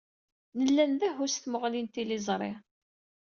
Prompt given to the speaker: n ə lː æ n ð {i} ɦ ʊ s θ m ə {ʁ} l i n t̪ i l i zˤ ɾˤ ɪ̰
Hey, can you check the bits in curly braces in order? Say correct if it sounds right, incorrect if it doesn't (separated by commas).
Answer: incorrect, correct